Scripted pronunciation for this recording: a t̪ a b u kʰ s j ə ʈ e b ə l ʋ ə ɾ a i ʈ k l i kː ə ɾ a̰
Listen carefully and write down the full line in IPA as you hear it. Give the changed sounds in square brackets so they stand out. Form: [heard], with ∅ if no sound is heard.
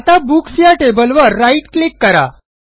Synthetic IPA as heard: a t̪ a b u [k] s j [a] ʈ e b ə l ʋ ə [ɾː] a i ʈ k l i kː ə ɾ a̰

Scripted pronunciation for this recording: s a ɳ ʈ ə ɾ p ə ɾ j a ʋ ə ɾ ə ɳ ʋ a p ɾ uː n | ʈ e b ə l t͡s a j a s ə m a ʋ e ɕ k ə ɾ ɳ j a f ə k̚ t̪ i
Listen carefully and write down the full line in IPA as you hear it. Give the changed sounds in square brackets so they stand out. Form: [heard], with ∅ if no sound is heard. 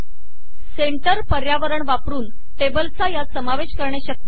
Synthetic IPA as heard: s [e] ɳ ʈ ə ɾ p ə ɾ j a ʋ ə ɾ ə ɳ ʋ a p ɾ uː n | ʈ e b ə l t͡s a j a s ə m a ʋ e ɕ k ə ɾ ɳ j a [ɕ] ə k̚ t̪ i

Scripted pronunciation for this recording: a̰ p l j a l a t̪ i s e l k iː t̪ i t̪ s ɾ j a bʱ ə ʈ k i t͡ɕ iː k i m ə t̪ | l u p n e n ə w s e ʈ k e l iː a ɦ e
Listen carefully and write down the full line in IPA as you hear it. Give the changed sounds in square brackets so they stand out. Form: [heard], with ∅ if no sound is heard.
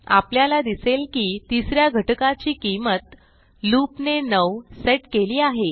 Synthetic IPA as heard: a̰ p l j a l a [d̪] i s e l k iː t̪ i [∅] s ɾ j a [ɡʱ] ə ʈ k [a] t͡ɕ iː k i m ə t̪ | l u p n e n ə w s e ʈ k e l iː a ɦ e

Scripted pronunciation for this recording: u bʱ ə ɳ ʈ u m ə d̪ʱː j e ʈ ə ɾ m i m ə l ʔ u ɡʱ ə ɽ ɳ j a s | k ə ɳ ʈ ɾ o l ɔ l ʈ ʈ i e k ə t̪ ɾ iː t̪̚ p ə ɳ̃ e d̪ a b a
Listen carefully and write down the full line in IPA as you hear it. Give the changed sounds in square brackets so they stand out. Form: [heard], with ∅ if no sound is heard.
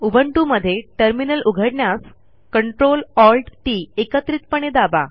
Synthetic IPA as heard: u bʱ ə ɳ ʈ u m ə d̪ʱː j e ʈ ə ɾ m i [n] ə l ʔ u ɡʱ ə ɽ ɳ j a s | k ə ɳ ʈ ɾ o l ɔ l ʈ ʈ i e k ə t̪ ɾ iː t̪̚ p ə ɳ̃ e d̪ a b a

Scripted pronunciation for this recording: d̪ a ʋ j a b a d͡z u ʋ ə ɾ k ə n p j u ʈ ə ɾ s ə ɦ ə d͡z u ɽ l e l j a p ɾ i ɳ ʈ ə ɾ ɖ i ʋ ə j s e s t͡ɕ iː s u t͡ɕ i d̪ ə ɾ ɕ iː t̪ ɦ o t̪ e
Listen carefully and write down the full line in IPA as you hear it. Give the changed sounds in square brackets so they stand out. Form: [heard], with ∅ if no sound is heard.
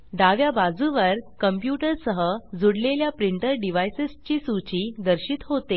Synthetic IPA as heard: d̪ a ʋ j a b a d͡z u ʋ ə ɾ k ə [m] p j u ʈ ə ɾ s ə ɦ ə d͡z u ɽ l e l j a p ɾ i ɳ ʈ ə ɾ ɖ i ʋ [a] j s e s t͡ɕ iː s u t͡ɕ i d̪ ə ɾ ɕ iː t̪ ɦ o t̪ e

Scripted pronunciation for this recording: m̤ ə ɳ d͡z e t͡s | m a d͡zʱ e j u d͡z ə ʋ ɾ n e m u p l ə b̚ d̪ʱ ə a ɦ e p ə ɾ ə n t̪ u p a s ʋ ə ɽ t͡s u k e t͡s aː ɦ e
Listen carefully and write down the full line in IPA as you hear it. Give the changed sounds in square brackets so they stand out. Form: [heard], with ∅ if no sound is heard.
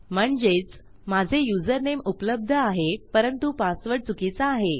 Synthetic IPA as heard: m̤ ə ɳ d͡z e t͡s | m a d͡zʱ e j u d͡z ə [∅] ɾ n e m u p l ə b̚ d̪ʱ ə a ɦ e p ə ɾ ə n t̪ u p a s ʋ ə ɽ t͡s u k [i] t͡s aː ɦ e

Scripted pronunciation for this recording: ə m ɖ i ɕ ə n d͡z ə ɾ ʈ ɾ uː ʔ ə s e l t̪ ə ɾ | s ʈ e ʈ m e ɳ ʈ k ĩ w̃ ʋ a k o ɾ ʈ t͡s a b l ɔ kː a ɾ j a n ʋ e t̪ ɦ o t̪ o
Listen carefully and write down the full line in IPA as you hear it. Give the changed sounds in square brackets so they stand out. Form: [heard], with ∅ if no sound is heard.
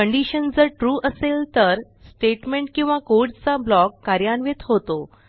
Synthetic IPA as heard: ə [ɳ] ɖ i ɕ ə n d͡z ə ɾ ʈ ɾ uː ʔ ə s e l t̪ ə ɾ | s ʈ e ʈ m e ɳ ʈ k ĩ w̃ ʋ a k o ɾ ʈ t͡s a b l ɔ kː a ɾ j a n ʋ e t̪ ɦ o t̪ o

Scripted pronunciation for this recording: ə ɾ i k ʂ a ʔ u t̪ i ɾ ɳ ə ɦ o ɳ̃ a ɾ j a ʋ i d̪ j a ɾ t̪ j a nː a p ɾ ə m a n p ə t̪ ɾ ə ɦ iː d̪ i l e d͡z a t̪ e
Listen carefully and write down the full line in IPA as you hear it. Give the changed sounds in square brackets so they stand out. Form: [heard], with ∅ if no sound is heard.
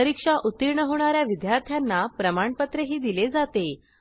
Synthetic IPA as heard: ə ɾ i k ʂ a ʔ u t̪ i ɾ ɳ ə ɦ o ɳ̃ a ɾ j a ʋ i d̪ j a ɾ [t̪ʰ] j a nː a p ɾ ə m a [ɳ] p ə t̪ ɾ ə ɦ iː d̪ i l e d͡z a t̪ e

